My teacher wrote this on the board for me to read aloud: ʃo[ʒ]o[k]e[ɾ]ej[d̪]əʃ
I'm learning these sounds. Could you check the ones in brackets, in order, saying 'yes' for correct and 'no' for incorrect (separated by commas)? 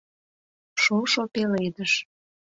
no, no, no, yes